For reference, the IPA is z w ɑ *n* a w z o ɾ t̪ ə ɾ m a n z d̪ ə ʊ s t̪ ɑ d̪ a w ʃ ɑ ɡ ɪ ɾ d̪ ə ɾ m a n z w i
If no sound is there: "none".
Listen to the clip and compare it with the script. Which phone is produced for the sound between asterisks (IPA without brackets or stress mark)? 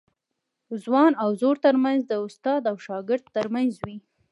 n